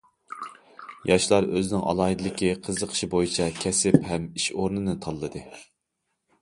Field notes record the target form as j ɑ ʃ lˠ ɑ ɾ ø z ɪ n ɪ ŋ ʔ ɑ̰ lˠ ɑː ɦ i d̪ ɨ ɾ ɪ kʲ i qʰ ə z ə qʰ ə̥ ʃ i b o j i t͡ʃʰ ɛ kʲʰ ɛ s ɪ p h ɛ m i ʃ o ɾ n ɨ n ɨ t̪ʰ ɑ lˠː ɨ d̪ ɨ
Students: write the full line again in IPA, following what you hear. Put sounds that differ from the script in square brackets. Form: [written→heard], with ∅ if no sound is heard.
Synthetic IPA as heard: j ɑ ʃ lˠ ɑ ɾ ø z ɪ n ɪ ŋ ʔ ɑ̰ lˠ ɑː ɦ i d̪ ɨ [ɾ→l] ɪ kʲ i qʰ ə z ə qʰ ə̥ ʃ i b o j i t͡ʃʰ ɛ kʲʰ ɛ s ɪ p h ɛ m i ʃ o ɾ n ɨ n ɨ t̪ʰ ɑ lˠː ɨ d̪ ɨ